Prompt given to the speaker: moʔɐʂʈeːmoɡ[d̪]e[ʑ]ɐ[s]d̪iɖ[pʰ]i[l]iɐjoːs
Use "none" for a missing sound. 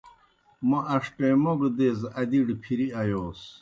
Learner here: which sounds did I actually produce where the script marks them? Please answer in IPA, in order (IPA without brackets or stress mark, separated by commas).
d̪, z, none, pʰ, ɾ